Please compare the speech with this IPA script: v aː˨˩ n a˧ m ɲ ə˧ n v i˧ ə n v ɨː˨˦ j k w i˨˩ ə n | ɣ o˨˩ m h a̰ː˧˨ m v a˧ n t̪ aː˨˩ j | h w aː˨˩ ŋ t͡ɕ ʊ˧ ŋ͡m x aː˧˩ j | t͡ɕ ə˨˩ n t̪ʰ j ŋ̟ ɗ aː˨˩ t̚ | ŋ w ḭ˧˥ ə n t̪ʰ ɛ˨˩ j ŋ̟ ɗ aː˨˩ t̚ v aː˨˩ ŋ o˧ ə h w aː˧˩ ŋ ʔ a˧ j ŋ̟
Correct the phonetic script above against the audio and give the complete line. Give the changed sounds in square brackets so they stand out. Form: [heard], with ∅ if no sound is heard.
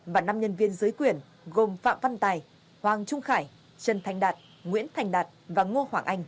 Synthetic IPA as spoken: v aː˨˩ n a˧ m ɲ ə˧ n v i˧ ə n [z] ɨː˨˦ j k w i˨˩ ə n | ɣ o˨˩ m [f] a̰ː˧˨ m v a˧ n t̪ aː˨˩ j | h w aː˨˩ ŋ t͡ɕ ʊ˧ ŋ͡m x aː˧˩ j | t͡ɕ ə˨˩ n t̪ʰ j ŋ̟ ɗ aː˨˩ t̚ | ŋ w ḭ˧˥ ə n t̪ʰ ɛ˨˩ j ŋ̟ ɗ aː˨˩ t̚ v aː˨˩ ŋ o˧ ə h w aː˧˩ ŋ ʔ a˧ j ŋ̟